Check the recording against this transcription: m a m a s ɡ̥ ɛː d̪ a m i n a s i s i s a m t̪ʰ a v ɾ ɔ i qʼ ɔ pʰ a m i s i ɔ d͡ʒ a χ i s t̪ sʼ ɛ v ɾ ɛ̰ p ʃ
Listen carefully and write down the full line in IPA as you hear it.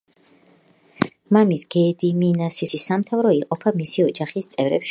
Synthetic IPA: m a m i s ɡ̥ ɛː d̪ i m i n a s i s i s a m t̪ʰ a v ɾ ɔ i qʼ ɔ pʰ a m i s i ɔ d͡ʒ a χ i s t̪ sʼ ɛ v ɾ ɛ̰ p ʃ